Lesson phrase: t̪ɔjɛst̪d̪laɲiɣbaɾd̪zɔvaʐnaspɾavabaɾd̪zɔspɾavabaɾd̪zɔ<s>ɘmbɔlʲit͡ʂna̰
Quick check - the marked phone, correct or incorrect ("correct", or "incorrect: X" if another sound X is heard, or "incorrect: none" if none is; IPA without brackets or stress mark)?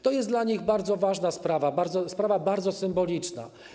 correct